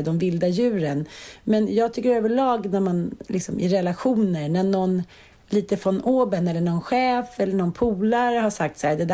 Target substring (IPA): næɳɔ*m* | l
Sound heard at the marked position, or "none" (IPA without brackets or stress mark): n